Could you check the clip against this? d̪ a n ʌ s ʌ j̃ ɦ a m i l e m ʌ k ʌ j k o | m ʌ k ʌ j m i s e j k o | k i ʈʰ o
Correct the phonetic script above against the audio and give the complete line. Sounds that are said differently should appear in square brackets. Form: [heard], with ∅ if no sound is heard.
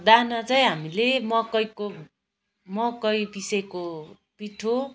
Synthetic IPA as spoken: d̪ a n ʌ [t͡s] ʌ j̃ ɦ a m i l e m ʌ k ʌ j k o | m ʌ k ʌ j [b] i s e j k o | [p] i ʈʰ o